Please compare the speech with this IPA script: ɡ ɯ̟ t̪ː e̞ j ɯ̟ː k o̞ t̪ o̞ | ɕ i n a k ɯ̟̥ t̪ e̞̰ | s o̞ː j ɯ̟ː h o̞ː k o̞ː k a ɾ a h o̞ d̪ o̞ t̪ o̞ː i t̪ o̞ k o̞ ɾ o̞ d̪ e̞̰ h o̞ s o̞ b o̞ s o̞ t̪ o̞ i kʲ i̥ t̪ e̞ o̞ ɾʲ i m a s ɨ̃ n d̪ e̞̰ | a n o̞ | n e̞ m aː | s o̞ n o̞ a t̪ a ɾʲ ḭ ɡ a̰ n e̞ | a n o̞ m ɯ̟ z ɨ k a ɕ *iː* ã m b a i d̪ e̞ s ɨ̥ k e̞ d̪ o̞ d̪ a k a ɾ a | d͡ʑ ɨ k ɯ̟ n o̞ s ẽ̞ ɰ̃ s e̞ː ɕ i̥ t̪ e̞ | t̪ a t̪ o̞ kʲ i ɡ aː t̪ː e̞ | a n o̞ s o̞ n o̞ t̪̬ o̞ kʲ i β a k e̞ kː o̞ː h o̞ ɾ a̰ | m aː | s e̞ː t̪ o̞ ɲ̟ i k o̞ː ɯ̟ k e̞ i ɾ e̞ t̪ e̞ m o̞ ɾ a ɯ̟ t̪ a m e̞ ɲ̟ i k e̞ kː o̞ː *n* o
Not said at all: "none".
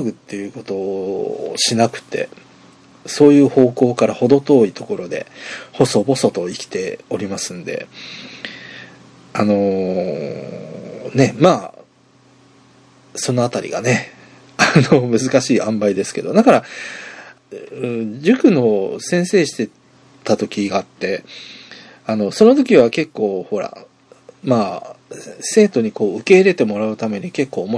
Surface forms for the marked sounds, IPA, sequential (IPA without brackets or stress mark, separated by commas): iː, m